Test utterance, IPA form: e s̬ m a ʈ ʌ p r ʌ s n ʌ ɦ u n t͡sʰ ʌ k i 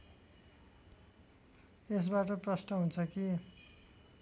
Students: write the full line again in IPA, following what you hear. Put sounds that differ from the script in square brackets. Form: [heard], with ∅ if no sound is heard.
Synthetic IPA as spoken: e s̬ [b] a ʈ ʌ p r ʌ s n ʌ ɦ u n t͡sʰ ʌ k i